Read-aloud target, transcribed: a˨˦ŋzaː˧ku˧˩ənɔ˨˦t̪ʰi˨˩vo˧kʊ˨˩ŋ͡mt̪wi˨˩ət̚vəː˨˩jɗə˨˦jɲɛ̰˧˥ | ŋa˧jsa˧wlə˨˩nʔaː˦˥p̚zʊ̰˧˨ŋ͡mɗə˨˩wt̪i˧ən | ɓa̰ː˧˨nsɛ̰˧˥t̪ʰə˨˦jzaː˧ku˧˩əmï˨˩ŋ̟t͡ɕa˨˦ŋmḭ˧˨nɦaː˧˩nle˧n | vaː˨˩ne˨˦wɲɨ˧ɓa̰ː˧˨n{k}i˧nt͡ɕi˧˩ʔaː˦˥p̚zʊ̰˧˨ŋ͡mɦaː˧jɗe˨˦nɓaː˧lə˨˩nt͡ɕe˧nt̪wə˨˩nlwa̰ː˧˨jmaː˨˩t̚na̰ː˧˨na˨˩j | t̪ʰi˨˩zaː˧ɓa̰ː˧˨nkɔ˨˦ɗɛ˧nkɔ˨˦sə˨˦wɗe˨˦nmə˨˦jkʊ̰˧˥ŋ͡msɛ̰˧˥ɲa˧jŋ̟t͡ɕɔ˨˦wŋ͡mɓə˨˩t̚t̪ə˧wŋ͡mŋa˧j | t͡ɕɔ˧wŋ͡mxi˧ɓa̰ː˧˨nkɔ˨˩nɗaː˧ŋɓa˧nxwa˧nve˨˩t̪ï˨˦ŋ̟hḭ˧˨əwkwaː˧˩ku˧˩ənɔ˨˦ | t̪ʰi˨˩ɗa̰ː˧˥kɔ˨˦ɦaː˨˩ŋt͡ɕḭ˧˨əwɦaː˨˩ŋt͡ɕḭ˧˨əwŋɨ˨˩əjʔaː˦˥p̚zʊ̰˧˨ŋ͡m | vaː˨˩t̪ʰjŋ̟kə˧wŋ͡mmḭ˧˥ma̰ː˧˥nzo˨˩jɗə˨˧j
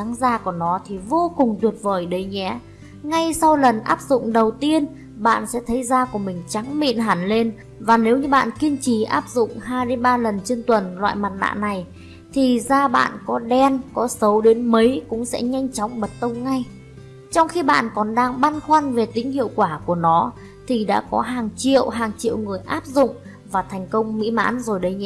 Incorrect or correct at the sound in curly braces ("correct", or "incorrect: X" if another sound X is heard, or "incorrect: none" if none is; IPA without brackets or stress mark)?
correct